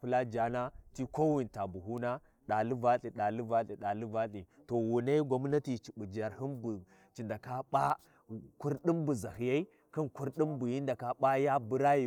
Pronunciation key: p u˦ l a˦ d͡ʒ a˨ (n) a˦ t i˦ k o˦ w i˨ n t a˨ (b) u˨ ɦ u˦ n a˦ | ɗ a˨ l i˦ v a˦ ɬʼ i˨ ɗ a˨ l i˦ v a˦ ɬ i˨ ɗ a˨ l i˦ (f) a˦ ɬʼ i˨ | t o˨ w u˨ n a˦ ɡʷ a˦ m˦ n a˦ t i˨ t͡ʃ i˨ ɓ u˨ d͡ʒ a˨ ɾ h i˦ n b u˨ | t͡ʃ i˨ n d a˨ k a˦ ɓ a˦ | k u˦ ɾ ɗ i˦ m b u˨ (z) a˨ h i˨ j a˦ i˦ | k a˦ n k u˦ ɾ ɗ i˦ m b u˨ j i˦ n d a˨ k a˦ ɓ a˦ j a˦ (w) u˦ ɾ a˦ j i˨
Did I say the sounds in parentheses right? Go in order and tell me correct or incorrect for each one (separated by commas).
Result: correct, correct, incorrect, correct, incorrect